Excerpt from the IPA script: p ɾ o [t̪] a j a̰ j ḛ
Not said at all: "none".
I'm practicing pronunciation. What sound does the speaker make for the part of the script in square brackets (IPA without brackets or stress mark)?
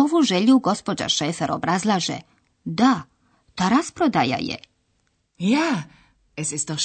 d̪